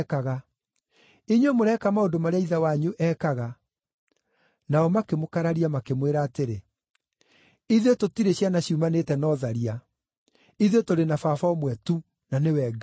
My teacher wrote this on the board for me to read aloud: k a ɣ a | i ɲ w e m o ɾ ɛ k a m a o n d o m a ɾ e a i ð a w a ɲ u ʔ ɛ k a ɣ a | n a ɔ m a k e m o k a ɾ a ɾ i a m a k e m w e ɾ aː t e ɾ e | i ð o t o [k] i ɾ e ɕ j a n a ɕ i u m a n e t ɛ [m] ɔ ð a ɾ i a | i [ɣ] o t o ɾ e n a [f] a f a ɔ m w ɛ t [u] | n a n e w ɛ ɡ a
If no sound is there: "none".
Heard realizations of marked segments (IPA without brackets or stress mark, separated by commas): t, n, ð, f, u